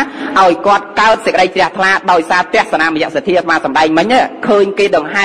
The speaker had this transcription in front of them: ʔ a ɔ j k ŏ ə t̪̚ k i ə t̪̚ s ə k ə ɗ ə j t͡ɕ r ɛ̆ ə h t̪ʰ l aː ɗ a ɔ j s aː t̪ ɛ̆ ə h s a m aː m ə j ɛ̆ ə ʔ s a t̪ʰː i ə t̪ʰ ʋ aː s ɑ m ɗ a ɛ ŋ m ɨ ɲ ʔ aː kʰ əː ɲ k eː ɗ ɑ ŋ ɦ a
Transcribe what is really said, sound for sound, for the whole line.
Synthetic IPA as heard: ʔ a ɔ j k ŏ ə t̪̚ k a ə t̪̚ s ə k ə ɗ ə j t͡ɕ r ɛ̆ ə h t̪ʰ l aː ɗ a ɔ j s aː t̪ ɛ̆ ə h s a n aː m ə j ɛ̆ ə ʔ s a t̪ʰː i ə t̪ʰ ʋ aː s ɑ m ɗ a ɛ ŋ m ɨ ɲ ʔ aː kʰ əː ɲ k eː ɗ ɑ ŋ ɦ a